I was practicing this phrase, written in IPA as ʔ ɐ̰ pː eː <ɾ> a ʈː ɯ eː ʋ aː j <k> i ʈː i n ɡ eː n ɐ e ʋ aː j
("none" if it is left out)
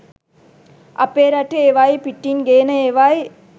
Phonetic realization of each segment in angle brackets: ɾ, p

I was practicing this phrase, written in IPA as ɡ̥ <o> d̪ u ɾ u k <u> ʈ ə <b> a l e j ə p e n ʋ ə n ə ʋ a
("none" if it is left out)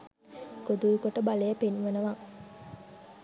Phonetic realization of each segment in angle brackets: o, o, b

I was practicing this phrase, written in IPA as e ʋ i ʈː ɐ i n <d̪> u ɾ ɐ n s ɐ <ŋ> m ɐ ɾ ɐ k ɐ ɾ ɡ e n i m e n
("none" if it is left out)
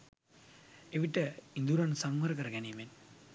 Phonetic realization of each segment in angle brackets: d̪, ŋ

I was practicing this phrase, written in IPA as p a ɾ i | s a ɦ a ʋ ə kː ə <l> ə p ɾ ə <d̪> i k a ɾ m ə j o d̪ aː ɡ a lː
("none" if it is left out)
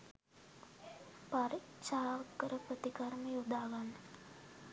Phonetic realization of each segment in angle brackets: ɾ, t̪

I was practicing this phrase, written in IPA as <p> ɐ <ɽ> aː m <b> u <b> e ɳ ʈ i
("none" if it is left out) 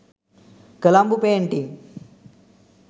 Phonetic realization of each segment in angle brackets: k, l, b, p

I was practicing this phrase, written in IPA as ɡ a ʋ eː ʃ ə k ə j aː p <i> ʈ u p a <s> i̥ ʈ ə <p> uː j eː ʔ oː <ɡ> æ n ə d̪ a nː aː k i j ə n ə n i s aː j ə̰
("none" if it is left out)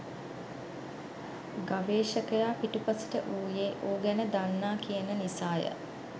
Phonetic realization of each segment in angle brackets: i, s, ʔ, ɡ

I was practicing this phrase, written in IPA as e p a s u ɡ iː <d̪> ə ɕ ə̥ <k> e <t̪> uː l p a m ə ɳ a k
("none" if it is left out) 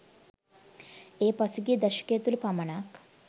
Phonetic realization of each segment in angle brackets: d̪, k, t̪

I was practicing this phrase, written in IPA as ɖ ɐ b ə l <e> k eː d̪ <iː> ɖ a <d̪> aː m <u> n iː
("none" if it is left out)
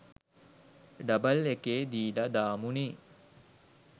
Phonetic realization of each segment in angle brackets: e, iː, d̪, u

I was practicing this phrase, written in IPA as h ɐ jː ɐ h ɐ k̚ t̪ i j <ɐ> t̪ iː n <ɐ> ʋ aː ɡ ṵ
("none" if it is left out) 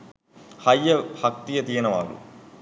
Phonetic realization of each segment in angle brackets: ɐ, ɐ

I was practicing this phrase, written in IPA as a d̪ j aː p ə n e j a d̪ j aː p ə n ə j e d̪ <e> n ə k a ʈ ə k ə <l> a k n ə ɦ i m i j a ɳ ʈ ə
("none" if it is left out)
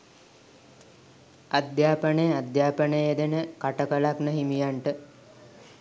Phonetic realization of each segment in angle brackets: e, l

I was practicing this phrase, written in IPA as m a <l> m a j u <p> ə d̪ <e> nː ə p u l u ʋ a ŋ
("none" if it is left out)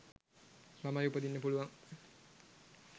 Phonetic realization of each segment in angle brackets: none, p, i

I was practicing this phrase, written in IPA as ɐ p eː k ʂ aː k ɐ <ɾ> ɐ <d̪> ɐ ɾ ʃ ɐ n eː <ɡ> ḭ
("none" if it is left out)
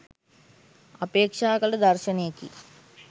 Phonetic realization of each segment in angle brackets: l, d̪, k

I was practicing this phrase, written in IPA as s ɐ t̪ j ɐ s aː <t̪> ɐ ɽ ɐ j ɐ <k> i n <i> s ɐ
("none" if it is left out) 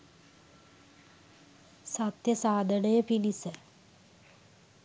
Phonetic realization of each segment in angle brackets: d̪, p, i

